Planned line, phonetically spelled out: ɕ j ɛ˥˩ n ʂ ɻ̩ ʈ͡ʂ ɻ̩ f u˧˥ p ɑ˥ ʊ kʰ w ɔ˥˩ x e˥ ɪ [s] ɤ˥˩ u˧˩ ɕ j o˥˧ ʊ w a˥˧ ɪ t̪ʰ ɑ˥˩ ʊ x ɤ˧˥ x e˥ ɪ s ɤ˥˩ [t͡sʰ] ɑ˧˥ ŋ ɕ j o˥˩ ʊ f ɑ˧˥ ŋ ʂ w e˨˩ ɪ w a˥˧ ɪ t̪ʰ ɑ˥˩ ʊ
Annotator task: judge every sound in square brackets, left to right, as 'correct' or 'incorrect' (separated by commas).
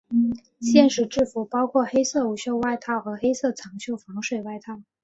correct, correct